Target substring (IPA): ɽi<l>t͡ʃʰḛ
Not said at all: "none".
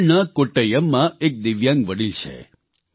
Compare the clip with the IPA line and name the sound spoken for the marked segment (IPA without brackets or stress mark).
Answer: l